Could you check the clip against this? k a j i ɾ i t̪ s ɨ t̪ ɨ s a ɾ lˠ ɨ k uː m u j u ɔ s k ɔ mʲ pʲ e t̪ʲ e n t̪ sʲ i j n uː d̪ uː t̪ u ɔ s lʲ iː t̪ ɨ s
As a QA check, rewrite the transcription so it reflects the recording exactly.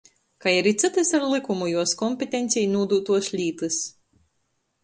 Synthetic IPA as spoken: k a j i ɾ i t̪ s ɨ t̪ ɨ s a ɾ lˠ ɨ k u m u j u ɔ s k ɔ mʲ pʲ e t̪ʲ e n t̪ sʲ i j n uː d̪ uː t̪ u ɔ s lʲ iː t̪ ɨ s